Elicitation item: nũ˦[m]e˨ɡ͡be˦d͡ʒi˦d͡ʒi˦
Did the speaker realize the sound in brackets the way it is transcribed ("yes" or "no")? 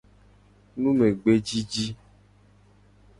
yes